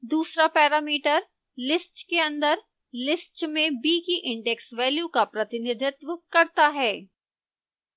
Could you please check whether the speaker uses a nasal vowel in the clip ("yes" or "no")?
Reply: yes